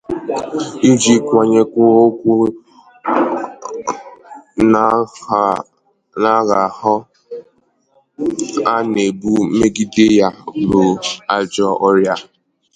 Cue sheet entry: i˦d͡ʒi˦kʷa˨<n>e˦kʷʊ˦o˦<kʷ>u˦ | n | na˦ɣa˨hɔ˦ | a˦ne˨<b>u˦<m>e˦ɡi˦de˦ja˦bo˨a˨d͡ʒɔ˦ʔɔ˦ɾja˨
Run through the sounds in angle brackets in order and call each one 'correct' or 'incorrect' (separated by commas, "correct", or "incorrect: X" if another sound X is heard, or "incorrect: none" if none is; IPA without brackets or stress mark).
incorrect: ɲ, correct, correct, correct